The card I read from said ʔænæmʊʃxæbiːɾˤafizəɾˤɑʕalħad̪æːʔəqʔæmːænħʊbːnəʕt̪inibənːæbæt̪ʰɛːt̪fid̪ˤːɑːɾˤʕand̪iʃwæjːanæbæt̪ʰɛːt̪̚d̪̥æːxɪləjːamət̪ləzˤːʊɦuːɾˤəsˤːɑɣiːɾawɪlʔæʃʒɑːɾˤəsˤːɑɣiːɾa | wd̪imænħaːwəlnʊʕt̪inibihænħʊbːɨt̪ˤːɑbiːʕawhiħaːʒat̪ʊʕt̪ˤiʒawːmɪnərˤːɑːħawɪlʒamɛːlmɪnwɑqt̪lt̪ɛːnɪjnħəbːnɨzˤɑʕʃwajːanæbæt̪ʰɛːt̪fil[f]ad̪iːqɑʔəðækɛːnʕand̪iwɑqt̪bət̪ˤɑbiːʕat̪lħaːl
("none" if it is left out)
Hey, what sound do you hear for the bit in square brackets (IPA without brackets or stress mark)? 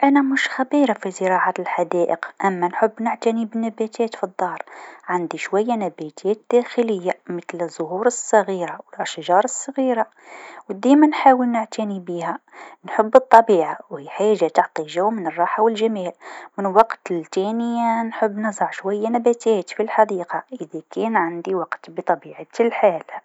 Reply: ħ